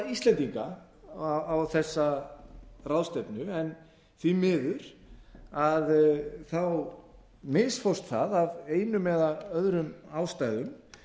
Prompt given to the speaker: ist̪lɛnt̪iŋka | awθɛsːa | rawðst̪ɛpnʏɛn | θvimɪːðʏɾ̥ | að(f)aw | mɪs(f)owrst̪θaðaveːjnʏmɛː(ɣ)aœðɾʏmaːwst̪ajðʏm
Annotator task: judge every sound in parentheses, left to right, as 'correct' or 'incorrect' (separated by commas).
incorrect, correct, incorrect